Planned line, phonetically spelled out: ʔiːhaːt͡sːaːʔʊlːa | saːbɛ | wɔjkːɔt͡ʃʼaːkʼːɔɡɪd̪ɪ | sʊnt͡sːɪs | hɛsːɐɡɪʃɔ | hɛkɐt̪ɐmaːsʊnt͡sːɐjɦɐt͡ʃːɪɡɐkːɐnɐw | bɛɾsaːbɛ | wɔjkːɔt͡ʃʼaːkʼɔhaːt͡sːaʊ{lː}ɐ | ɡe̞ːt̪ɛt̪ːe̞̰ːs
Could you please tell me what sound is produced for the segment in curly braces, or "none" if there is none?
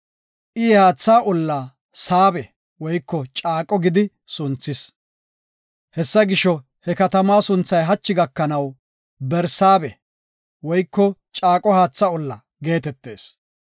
lː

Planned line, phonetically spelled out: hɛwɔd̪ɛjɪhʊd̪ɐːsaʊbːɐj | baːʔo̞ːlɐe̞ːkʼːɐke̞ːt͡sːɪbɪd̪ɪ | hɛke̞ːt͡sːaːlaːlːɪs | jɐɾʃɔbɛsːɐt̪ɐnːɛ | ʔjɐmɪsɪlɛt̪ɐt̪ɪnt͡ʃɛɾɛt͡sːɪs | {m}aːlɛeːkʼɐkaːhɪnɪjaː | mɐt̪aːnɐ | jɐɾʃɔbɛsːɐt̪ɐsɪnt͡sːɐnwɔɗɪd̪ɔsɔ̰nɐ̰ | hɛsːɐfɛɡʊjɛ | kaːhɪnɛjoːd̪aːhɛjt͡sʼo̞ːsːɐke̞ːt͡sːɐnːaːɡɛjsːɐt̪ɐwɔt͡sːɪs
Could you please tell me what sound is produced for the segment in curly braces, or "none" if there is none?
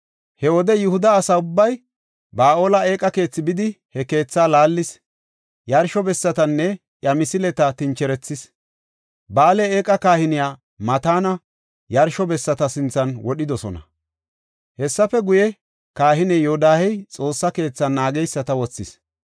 b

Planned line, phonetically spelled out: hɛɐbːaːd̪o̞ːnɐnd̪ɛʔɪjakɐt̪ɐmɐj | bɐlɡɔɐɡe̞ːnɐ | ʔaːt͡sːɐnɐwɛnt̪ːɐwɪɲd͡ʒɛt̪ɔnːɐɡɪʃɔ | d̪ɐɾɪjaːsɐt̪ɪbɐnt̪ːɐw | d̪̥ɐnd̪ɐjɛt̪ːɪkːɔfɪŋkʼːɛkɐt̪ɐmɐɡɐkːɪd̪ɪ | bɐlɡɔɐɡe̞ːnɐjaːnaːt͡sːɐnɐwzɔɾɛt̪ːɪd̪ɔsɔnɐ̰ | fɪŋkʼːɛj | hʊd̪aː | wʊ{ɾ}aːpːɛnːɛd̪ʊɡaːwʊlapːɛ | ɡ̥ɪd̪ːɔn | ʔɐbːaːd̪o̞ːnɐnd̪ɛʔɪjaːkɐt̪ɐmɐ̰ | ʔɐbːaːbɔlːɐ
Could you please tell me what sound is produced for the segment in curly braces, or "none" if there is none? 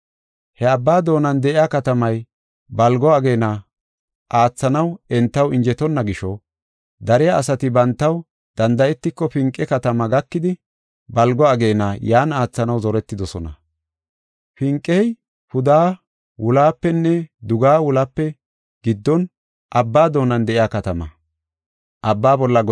l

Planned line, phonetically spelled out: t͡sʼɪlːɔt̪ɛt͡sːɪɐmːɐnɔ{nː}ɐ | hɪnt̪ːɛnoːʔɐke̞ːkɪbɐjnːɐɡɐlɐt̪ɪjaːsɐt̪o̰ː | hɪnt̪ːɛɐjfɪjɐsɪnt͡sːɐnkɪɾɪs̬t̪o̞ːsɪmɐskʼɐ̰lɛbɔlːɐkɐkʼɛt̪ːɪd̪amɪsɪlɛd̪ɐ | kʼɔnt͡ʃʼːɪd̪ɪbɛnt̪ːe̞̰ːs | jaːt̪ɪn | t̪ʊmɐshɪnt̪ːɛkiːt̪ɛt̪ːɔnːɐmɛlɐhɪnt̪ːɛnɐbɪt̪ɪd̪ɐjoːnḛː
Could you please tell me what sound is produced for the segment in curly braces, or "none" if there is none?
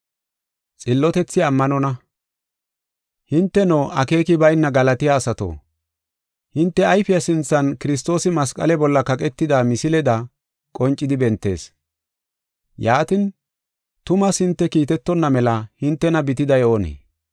n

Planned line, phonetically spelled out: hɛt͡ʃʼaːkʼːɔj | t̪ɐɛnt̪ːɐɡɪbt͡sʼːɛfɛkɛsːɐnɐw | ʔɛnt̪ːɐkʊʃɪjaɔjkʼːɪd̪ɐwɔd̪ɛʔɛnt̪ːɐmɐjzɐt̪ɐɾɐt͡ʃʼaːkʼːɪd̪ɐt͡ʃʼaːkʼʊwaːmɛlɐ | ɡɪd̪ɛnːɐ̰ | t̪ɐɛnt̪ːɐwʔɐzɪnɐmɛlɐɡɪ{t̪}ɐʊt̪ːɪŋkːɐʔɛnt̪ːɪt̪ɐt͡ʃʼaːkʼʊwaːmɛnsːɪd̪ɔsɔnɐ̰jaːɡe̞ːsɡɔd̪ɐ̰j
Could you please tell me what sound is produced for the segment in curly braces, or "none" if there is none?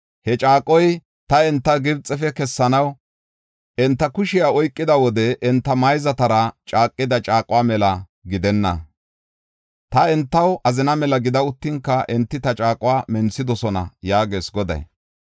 d̪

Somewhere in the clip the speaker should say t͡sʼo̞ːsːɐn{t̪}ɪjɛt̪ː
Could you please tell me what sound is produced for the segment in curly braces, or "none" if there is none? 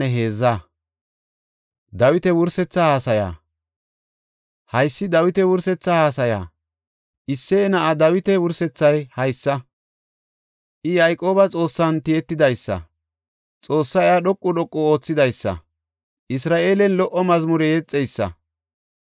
t̪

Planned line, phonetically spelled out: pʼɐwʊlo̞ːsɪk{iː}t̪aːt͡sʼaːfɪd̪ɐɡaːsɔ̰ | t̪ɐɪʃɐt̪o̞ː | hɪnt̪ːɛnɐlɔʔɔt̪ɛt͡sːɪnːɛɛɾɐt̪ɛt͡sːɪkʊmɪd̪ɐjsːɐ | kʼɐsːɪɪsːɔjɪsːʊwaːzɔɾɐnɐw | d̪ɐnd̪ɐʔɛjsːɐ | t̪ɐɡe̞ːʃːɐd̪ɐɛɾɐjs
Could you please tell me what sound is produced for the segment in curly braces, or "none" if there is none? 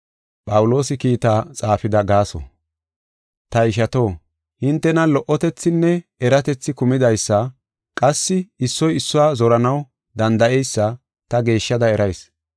iː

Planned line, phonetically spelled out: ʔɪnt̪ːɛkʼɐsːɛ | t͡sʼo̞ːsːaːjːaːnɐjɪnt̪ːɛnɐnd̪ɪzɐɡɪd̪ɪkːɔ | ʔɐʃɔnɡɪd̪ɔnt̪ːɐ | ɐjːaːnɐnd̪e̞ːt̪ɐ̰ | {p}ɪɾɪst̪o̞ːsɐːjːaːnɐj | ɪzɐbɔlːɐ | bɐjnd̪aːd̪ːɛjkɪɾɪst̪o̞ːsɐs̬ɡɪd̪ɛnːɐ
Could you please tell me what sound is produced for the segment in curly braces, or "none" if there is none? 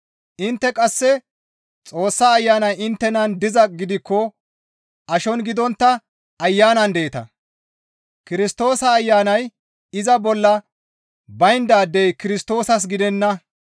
k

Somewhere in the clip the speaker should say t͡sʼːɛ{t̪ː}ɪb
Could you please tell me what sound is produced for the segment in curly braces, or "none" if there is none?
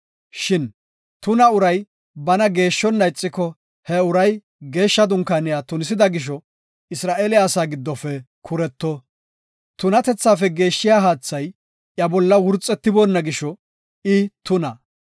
t̪ː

